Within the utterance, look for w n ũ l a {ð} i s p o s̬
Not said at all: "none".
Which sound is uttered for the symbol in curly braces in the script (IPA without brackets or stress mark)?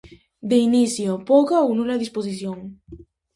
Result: ð